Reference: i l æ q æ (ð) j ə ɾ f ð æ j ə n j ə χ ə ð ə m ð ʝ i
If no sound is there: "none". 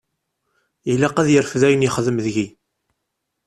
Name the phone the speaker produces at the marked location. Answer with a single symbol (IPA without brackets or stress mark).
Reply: ð